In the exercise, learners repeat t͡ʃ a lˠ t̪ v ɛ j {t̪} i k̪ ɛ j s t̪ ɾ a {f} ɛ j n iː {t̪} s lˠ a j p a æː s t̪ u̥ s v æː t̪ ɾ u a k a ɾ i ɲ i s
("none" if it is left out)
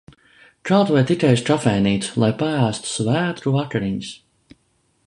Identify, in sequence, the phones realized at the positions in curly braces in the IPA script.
t̪, f, t̪

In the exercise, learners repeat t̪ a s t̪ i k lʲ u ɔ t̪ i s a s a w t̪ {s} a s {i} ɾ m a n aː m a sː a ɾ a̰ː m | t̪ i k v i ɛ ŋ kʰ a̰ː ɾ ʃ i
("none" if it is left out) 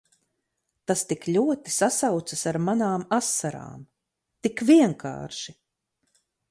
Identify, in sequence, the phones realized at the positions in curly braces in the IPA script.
s, a

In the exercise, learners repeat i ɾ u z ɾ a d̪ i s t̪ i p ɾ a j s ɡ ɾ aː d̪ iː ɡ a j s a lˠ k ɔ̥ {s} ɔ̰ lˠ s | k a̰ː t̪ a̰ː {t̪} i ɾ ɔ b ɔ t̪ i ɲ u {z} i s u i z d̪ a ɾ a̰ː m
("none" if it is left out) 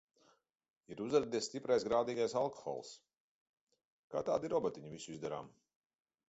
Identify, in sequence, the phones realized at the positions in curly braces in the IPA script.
x, d̪, v

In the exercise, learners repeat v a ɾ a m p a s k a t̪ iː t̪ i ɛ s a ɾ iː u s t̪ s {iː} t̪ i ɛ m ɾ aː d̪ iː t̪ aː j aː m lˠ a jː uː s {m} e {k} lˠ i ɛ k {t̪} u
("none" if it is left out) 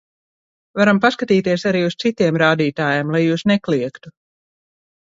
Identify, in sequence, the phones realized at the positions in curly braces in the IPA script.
i, n, k, t̪

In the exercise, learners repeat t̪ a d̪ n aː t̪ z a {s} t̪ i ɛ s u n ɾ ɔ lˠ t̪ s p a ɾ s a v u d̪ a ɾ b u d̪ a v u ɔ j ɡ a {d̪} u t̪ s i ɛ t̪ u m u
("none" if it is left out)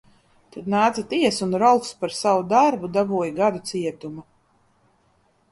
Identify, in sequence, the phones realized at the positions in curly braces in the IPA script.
none, d̪

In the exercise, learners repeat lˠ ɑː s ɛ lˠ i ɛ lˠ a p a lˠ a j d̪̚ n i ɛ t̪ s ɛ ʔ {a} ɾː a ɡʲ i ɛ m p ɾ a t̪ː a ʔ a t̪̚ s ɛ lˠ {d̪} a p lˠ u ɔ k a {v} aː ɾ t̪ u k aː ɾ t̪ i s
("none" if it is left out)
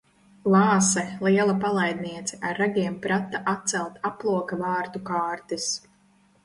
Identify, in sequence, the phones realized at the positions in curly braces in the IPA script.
a, t̪, v

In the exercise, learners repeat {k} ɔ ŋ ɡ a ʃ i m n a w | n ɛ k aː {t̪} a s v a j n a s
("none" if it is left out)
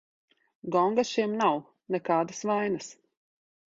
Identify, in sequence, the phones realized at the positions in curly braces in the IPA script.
ɡ, d̪

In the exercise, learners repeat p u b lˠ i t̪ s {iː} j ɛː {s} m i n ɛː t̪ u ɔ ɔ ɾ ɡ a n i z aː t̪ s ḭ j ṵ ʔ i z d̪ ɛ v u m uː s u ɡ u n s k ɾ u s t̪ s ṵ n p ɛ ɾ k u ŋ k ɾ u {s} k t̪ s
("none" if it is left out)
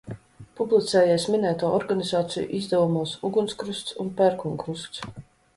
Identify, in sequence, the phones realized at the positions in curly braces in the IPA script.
ɛː, s, s

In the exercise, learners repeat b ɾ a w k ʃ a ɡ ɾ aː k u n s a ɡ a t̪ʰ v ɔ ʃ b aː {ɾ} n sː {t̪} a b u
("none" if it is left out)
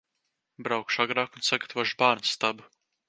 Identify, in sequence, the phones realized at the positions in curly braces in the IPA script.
ɾ, t̪

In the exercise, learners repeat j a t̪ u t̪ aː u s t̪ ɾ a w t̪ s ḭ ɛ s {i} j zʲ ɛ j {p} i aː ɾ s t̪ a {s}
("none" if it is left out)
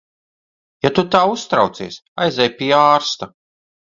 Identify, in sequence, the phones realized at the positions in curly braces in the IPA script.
a, p, none

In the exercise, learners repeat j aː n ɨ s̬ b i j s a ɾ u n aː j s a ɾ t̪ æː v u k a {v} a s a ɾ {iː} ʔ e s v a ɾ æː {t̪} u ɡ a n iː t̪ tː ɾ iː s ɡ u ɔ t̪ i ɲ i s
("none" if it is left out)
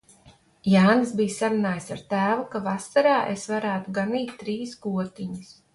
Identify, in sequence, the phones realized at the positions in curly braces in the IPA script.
v, aː, t̪

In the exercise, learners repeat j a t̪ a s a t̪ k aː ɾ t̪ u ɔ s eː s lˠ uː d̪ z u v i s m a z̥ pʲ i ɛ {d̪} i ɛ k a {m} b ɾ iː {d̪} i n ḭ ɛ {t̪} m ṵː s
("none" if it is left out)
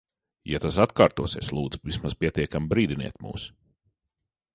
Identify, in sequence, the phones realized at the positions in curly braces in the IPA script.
t̪, m, d̪, t̪

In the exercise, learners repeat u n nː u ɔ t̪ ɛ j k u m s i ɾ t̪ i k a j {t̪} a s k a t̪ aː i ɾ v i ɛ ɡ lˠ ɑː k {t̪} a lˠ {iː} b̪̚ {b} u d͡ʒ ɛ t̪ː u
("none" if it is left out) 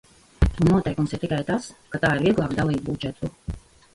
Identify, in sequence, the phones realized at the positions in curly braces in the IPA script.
t̪, d̪, iː, b

